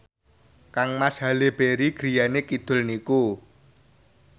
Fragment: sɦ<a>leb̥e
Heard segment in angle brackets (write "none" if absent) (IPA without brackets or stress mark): a